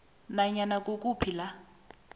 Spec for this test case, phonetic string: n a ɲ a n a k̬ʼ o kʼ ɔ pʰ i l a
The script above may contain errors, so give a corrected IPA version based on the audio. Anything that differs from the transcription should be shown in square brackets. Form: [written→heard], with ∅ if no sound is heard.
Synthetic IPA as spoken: n a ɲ a n a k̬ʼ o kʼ [ɔ→u] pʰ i l a

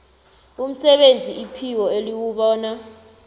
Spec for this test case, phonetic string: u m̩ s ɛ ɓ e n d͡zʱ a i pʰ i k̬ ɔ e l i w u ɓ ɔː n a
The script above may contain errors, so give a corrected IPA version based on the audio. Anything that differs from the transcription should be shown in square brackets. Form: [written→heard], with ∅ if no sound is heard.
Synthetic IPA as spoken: u m̩ s ɛ ɓ e n d͡zʱ [a→i] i pʰ i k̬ ɔ e l i w u ɓ ɔː n a

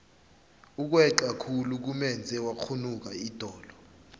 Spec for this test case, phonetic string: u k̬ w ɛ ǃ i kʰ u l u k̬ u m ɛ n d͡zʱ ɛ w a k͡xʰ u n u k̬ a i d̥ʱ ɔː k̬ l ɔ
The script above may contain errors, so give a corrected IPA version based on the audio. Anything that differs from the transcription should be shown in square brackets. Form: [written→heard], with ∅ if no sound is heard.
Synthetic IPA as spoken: u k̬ w ɛ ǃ [i→a] kʰ u l u k̬ u m ɛ n d͡zʱ ɛ w a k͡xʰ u n u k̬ a i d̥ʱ ɔː [k̬→∅] l ɔ

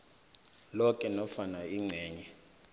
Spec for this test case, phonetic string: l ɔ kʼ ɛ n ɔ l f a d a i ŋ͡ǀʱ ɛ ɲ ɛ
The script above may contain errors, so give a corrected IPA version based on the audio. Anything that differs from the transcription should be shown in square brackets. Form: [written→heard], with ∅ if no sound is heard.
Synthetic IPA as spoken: l ɔ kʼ ɛ n ɔ [l→∅] f a [d→n] a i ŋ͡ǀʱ [ɛ→ɛː] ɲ ɛ

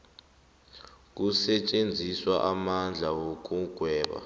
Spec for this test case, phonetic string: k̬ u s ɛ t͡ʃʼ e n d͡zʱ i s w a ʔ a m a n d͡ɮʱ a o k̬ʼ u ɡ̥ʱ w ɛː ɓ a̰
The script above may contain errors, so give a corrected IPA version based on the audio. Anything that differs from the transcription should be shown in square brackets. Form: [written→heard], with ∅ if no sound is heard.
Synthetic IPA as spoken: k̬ u s ɛ t͡ʃʼ e n d͡zʱ i s w a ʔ a m a n d͡ɮʱ a o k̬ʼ u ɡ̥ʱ w ɛː ɓ a̰

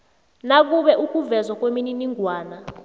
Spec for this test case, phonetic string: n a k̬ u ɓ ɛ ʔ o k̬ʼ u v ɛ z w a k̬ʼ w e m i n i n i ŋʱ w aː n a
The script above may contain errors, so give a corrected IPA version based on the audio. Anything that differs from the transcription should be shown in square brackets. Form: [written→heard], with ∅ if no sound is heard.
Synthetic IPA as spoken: n a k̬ u ɓ ɛ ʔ [o→u] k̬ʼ u v ɛ z w a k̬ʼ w e m i n i n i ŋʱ w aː n a

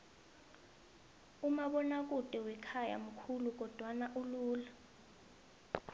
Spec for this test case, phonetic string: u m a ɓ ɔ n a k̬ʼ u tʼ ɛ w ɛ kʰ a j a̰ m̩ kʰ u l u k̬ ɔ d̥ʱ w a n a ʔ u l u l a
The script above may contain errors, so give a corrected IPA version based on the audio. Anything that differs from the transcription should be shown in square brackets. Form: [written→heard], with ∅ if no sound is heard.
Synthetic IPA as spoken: u m a ɓ ɔ n a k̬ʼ u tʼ ɛ w ɛ kʰ a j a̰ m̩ kʰ u l u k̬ ɔ d̥ʱ w a n a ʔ u l [u→uː] l a

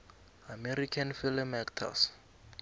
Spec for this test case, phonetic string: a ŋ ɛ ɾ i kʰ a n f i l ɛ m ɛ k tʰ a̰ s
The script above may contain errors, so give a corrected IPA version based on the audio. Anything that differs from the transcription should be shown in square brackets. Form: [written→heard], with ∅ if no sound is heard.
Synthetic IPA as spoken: a [ŋ→m] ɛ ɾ i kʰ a n f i l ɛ m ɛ k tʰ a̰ s

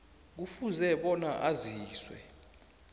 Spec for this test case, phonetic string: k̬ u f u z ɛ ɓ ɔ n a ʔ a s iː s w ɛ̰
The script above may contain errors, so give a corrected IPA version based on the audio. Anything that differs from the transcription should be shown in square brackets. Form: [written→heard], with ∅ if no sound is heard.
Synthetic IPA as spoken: k̬ u f u z ɛ ɓ ɔ n a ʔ a [s→z] iː s w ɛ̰

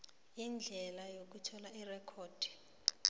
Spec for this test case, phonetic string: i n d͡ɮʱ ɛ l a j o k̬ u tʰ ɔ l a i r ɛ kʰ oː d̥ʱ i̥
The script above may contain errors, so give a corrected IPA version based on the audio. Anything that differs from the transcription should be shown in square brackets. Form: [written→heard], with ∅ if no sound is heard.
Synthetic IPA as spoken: i n d͡ɮʱ ɛ l a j o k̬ u tʰ ɔ l a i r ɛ kʰ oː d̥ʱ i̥

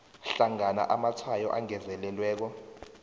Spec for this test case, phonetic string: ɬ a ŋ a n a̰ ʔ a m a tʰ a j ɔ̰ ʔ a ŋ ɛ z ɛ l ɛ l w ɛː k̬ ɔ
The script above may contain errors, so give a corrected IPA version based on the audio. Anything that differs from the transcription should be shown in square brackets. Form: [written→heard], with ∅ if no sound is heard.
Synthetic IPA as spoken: ɬ a ŋ a n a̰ ʔ a m a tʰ a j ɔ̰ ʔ a ŋ ɛ z ɛ l ɛ l w ɛː k̬ ɔ

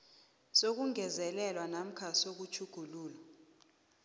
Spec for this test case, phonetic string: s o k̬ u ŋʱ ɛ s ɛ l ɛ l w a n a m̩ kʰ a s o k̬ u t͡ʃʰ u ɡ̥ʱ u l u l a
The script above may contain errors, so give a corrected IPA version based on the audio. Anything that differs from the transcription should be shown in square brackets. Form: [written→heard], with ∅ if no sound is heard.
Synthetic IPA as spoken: s o k̬ u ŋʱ ɛ [s→z] ɛ l ɛ l w a n a m̩ kʰ a s o k̬ u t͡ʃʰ u ɡ̥ʱ u l [u→uː] l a

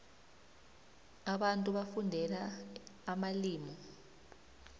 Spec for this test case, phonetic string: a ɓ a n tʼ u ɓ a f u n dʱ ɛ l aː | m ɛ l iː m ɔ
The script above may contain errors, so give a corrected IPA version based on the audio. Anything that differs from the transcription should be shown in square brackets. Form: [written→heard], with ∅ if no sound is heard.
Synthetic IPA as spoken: a ɓ a n tʼ u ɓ a f u n dʱ ɛ l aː | m [ɛ→a] l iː m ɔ

